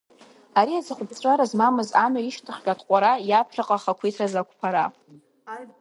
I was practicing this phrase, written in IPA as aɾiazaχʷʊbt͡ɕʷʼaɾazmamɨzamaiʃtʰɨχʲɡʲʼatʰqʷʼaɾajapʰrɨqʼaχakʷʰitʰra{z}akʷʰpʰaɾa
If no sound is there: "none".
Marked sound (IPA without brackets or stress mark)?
z